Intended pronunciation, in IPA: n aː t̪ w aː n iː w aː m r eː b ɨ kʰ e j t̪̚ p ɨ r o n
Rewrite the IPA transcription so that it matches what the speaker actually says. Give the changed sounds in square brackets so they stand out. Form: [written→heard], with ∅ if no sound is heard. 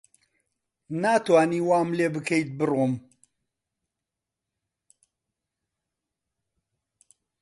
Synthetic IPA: n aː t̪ w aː n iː w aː m [r→l] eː b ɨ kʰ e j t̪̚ [p→b] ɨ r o [n→m]